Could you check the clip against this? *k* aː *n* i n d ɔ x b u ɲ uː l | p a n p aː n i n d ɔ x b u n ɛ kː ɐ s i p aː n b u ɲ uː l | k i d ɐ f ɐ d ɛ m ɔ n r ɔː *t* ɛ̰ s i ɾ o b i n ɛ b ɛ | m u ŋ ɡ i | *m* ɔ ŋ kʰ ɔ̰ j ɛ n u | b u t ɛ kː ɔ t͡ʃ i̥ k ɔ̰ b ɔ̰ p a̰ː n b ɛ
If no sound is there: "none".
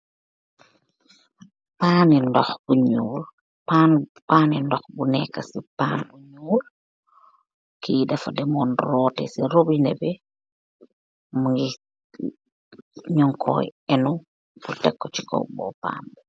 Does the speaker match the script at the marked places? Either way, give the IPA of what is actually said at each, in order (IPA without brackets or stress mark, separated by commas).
p, n, t, ɲ